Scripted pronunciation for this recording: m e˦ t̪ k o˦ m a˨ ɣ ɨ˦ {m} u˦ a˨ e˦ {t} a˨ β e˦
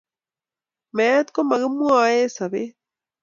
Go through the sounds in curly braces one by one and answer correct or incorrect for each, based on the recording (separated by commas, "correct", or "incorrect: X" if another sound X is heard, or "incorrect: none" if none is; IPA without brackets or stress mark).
correct, incorrect: s